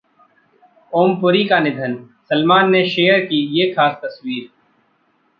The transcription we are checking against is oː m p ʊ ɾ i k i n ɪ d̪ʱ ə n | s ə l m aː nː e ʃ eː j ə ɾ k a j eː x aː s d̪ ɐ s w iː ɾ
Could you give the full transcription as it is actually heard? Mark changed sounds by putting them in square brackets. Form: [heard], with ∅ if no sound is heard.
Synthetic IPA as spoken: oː m p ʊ ɾ i k [a] n ɪ d̪ʱ ə n | s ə l m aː nː e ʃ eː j ə ɾ k [i] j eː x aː s [t̪] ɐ s w iː ɾ